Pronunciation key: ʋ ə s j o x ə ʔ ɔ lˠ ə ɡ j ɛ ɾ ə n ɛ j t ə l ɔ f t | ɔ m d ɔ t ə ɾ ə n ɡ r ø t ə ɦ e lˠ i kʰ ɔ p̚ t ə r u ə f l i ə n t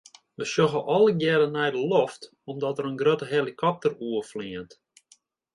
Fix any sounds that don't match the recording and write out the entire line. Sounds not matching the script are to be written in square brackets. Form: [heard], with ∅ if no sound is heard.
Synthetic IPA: ʋ ə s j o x ə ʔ ɔ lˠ ə ɡ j ɛ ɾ ə n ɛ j [d] ə l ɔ f t | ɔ m d ɔ t ə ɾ ə n ɡ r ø t ə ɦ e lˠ i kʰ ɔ p̚ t ə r u ə f l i ə n t

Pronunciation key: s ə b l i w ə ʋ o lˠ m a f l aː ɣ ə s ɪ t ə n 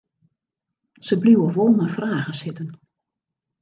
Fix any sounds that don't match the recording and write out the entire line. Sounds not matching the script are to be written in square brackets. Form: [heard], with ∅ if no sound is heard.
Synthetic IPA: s ə b l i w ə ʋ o lˠ m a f [r] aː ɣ ə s ɪ t ə n

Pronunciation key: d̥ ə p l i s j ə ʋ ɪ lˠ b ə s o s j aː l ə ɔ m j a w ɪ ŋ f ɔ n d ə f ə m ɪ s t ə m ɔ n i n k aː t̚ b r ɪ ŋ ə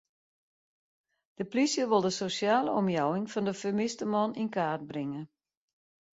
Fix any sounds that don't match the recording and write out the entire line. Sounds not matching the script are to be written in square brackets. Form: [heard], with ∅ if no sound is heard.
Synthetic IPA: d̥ ə p l i s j ə ʋ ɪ lˠ [d] ə s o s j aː l ə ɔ m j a w ɪ ŋ f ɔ n d ə f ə m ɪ s t ə m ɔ n i n k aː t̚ b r ɪ ŋ ə

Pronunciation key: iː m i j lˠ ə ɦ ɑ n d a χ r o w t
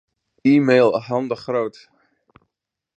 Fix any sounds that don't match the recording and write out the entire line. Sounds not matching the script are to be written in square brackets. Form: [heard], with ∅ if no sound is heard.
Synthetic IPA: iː m [e] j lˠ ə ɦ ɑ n d [ə] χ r o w t

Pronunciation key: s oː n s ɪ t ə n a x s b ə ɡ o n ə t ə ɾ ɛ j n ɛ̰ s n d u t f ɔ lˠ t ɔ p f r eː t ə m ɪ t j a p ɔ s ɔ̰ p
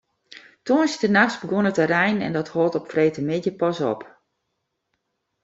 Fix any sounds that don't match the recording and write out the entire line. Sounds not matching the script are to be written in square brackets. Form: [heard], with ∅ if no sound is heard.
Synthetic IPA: [t] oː n s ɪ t ə n a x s b ə ɡ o n ə t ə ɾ ɛ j n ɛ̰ [∅] n d [ɔ] t [h] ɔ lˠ t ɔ p f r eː t ə m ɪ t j [ə] p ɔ s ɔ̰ p

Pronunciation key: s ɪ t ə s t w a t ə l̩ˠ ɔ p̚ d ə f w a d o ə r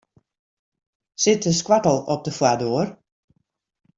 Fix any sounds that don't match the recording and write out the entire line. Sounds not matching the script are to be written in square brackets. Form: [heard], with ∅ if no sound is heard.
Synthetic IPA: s ɪ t ə s [k] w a t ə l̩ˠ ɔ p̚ d ə f w a d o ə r

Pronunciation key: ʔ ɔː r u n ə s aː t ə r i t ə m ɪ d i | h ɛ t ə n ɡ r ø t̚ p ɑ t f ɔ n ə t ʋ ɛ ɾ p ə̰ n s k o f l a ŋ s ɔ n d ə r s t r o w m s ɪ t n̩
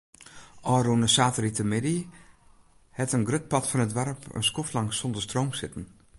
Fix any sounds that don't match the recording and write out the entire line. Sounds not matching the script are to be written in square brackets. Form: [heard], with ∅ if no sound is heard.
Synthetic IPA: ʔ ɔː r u n ə s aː t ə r i t ə m ɪ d i | h ɛ t ə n ɡ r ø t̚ p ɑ t f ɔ n ə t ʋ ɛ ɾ p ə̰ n s k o f l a ŋ s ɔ n d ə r s t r o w m s ɪ t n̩

